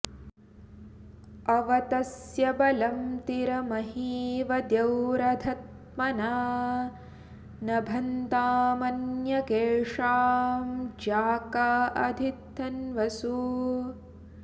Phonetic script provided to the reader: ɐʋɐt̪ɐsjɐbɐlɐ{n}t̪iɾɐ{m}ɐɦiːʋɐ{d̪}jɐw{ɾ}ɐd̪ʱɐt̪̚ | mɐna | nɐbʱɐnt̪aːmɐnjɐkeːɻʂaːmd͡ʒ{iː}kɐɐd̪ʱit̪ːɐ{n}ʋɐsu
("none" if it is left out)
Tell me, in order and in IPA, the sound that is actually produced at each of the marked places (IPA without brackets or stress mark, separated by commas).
m, m, d̪, ɾ, aː, n